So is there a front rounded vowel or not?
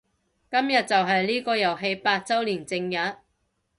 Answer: no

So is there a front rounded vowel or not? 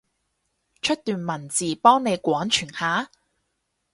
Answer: yes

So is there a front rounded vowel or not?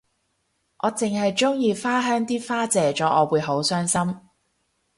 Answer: yes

